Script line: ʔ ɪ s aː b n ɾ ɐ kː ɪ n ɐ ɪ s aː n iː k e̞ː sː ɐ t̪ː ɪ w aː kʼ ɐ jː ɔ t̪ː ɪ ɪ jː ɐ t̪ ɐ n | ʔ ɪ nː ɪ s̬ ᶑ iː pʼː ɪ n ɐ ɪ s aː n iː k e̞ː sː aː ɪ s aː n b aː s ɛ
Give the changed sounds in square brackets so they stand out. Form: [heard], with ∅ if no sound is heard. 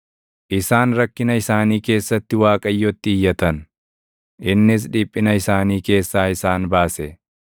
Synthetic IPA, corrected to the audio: ʔ ɪ s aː [∅] n ɾ ɐ kː ɪ n ɐ ɪ s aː n iː k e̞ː sː ɐ t̪ː ɪ w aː kʼ ɐ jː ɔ t̪ː ɪ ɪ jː ɐ t̪ ɐ n | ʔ ɪ nː ɪ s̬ ᶑ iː pʼː ɪ n ɐ ɪ s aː n iː k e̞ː sː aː ɪ s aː n b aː s ɛ